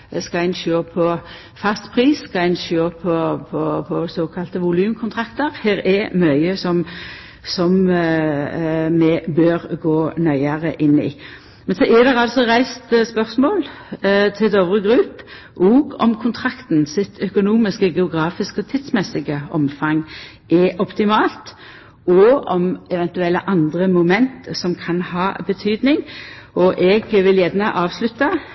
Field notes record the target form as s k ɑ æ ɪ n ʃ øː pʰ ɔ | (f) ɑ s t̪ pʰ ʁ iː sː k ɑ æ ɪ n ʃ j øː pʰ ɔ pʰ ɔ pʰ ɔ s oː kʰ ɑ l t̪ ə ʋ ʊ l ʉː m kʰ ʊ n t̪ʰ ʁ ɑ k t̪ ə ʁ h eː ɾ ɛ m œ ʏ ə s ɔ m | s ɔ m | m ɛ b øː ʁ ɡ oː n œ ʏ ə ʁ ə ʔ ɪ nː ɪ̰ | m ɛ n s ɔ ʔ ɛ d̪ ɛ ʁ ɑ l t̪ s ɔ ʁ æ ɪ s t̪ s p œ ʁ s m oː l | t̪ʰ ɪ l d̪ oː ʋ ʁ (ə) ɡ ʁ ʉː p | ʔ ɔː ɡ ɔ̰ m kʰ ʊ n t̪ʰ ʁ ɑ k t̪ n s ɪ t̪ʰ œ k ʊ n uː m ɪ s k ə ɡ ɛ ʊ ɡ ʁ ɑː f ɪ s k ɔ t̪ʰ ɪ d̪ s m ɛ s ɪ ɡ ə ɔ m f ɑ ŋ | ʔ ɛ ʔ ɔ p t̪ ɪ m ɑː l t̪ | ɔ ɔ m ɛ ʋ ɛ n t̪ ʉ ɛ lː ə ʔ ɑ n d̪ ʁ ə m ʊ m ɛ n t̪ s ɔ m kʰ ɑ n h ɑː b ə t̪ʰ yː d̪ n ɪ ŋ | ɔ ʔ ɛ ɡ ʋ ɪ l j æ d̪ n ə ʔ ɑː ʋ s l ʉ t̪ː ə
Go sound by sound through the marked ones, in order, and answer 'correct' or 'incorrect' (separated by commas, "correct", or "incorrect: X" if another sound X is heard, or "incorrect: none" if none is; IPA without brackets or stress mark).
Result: correct, correct